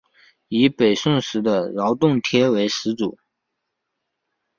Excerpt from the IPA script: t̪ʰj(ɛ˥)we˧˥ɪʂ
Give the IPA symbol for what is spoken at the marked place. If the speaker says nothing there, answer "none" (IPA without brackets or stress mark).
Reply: ɛ˥